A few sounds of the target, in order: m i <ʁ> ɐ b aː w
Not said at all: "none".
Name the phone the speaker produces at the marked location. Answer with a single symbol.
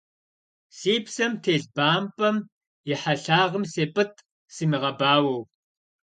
ʁ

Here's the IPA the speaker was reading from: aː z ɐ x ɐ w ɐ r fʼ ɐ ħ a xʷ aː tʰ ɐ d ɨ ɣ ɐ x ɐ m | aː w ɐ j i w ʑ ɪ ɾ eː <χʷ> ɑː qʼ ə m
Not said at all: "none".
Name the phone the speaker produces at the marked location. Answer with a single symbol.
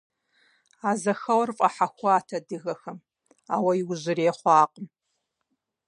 χʷ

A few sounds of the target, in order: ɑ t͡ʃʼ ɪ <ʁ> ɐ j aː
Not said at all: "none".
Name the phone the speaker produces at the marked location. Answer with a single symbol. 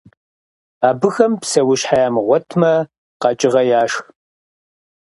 ʁ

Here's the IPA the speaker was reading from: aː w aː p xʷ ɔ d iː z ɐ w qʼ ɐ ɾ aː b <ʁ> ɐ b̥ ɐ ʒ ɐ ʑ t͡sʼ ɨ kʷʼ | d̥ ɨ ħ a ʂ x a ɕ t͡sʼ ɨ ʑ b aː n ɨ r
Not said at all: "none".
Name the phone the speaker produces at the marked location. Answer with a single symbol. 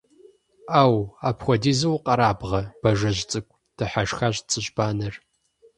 ʁ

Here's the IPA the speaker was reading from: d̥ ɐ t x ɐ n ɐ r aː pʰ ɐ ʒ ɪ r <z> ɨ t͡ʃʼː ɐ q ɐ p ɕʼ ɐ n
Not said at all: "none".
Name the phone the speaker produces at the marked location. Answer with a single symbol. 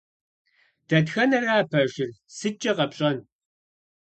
s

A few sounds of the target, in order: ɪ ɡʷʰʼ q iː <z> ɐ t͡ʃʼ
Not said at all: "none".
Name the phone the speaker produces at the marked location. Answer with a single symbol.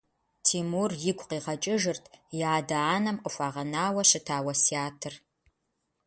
ʁ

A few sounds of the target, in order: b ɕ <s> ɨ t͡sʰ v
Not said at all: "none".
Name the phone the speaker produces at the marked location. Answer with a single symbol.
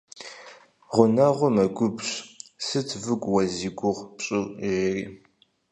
s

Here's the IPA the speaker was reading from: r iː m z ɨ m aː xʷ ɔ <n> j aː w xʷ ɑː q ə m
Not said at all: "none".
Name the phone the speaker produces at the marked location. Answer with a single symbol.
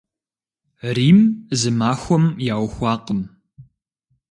m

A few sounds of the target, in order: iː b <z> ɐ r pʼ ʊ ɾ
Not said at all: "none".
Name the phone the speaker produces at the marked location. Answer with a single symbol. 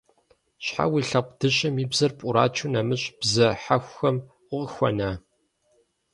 z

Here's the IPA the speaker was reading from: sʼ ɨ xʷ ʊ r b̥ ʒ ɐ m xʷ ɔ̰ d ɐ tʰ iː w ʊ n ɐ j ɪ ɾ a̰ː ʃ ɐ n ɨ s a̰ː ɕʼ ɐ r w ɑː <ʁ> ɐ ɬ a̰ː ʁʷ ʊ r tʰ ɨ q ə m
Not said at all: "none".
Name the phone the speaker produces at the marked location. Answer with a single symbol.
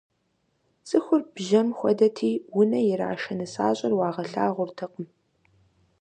ʁ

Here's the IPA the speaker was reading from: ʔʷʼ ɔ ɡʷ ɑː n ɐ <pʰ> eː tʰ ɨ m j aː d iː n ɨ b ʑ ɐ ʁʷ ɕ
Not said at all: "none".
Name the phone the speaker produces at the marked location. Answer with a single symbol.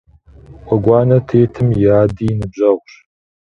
tʰ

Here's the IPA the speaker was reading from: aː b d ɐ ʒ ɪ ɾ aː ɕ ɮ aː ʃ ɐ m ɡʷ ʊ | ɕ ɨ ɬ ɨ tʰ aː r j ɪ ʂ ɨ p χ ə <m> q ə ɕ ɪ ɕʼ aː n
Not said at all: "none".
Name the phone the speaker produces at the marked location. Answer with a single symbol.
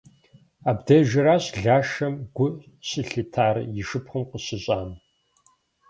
m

